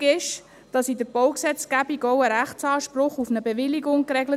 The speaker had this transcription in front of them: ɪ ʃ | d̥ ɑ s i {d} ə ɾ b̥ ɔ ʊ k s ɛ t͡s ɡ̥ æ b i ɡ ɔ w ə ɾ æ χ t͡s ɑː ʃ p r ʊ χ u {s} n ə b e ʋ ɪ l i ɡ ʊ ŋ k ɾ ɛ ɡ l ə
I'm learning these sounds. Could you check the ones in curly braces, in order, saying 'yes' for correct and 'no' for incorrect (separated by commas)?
yes, no